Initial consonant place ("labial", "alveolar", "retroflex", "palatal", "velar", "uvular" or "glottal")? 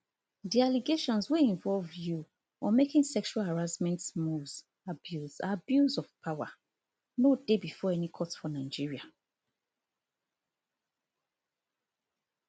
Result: alveolar